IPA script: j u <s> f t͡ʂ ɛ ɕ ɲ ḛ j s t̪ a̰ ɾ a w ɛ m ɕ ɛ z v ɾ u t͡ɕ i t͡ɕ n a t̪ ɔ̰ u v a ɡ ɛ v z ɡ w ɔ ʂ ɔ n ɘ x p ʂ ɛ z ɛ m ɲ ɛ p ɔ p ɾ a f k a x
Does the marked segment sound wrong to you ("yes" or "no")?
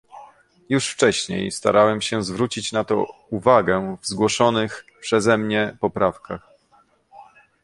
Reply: yes